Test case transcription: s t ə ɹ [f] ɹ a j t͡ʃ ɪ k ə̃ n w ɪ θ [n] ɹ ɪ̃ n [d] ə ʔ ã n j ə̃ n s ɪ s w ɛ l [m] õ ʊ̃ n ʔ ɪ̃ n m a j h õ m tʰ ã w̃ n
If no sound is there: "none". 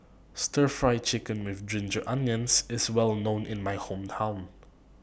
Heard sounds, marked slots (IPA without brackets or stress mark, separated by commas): f, d, d͡ʒ, n